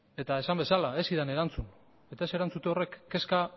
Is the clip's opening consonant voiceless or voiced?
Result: voiceless